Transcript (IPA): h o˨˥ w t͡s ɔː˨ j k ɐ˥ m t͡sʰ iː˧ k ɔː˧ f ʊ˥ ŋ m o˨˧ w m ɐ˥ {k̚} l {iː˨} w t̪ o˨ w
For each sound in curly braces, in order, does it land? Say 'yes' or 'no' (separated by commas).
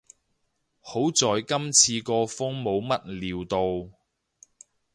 no, yes